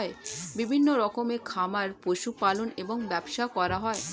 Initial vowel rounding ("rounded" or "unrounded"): unrounded